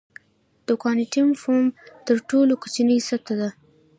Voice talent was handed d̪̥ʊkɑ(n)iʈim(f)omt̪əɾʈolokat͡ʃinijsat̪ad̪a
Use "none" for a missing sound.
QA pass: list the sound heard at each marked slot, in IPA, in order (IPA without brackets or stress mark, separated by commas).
n, f